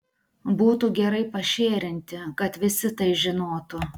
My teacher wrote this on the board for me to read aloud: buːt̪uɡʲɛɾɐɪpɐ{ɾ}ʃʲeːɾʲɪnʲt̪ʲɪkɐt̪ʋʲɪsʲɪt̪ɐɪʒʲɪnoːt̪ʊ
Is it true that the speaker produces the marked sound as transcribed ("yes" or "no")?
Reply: no